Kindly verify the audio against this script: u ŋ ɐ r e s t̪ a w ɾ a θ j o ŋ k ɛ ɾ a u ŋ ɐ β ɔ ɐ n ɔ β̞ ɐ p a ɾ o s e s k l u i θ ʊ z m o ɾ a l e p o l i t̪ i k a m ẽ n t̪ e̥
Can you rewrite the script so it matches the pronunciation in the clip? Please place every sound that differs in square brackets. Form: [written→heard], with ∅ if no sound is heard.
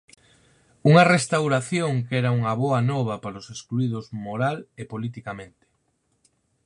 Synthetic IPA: u ŋ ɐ r e s t̪ a w ɾ a θ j o ŋ k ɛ ɾ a u ŋ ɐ β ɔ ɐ n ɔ β̞ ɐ p a ɾ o s e s k l u i [θ→ð] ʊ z m o ɾ a l e p o l i t̪ i k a m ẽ n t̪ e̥